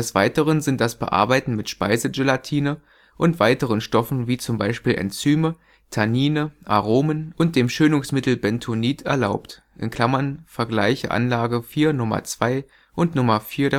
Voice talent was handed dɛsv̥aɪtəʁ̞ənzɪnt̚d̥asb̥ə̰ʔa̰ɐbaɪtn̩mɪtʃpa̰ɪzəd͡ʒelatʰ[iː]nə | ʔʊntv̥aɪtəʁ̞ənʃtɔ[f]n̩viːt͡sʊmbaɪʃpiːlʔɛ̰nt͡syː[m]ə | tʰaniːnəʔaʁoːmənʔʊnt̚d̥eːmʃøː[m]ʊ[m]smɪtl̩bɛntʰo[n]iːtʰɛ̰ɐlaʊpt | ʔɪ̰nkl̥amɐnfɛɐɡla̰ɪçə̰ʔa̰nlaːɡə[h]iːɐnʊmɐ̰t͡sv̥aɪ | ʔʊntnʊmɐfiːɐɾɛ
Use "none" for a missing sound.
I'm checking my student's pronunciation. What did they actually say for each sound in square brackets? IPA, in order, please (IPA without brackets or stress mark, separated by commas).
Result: iː, f, m, n, ŋ, n, f